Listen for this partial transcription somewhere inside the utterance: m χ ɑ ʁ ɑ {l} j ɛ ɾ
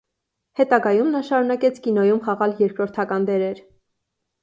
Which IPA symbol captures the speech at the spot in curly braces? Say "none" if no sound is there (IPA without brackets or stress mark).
l